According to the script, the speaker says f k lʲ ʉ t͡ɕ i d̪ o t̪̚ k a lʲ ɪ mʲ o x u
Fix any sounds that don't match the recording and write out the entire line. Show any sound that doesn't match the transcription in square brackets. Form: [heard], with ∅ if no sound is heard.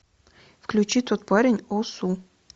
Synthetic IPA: f k lʲ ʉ t͡ɕ i [t̪] o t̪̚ [p] a [ɾʲ] ɪ [nʲ] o [s] u